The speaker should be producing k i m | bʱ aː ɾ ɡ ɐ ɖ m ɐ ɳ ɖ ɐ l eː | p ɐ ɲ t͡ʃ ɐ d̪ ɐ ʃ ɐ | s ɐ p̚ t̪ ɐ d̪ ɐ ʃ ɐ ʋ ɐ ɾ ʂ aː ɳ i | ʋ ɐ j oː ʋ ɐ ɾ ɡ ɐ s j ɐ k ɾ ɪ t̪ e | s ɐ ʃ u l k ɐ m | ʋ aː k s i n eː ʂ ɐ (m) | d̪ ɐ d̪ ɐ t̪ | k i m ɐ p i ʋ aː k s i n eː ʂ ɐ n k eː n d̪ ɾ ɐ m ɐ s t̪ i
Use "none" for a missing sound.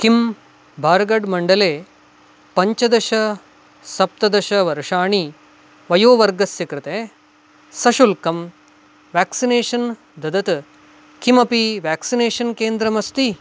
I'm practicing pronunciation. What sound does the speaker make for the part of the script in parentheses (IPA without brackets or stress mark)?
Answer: n